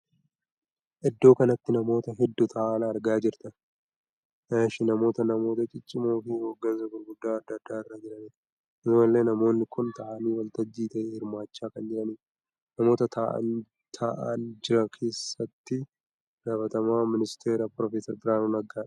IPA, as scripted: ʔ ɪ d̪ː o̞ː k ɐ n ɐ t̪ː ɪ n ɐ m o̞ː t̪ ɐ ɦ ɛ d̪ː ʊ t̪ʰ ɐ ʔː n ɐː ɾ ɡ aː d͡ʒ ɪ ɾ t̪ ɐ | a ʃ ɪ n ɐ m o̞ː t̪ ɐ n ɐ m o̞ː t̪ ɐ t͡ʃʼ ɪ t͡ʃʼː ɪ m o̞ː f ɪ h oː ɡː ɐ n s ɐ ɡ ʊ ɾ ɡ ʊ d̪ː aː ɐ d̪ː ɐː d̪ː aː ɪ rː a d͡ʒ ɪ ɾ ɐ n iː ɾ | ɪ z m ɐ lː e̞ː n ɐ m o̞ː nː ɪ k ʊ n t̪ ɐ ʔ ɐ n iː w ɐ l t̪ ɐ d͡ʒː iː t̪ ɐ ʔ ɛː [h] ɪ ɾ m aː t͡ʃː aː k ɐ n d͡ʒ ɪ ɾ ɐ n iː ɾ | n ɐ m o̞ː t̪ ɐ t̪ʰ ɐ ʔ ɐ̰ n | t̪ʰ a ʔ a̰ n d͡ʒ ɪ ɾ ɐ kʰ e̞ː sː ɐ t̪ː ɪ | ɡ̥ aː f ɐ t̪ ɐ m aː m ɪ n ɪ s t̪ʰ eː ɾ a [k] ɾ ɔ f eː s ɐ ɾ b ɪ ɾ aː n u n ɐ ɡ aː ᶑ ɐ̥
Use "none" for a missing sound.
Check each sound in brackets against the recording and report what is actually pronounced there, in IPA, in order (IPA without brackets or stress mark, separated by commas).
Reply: h, p